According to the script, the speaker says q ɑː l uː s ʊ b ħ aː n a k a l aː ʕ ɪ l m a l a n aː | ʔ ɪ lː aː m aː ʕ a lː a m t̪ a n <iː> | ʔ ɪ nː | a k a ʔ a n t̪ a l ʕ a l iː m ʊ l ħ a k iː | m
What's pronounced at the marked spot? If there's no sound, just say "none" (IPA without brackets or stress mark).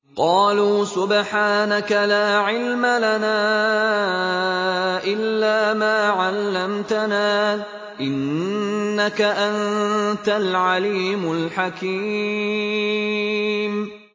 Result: aː